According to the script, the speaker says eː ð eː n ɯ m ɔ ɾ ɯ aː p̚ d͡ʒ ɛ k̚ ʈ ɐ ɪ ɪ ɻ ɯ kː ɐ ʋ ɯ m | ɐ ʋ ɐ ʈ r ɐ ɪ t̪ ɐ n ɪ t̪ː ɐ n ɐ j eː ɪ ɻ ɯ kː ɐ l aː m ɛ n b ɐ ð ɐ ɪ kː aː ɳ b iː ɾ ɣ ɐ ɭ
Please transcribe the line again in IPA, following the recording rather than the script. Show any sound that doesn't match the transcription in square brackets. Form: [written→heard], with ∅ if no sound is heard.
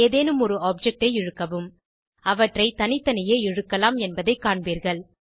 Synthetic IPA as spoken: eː ð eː n ɯ m ɔ ɾ ɯ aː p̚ d͡ʒ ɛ k̚ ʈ ɐ ɪ ɪ ɻ ɯ kː ɐ ʋ ɯ m | ɐ ʋ ɐ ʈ r ɐ ɪ t̪ ɐ n ɪ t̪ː ɐ n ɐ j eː ɪ ɻ ɯ kː ɐ l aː m ɛ n b ɐ ð ɐ ɪ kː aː ɳ b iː ɾ ɣ ɐ ɭ